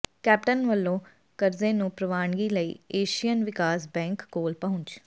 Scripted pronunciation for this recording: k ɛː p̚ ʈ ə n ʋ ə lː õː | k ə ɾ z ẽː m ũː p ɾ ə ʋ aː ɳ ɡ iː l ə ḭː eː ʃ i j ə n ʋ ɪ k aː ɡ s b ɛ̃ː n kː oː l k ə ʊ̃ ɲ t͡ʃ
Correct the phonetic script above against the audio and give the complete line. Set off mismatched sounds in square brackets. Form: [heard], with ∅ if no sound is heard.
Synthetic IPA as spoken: k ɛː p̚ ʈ ə n ʋ ə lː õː | k ə ɾ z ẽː [n] ũː p ɾ ə ʋ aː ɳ ɡ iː l ə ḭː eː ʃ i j ə n ʋ ɪ k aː [∅] s b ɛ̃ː [ŋ] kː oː l [p] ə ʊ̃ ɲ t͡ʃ